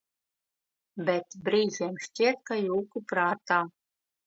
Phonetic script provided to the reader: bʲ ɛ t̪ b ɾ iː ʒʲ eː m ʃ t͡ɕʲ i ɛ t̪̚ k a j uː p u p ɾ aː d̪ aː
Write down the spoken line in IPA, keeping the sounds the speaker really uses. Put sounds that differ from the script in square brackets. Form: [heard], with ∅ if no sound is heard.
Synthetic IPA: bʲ ɛ t̪ b ɾ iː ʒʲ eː m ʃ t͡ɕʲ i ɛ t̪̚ k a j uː [k] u p ɾ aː [t̪] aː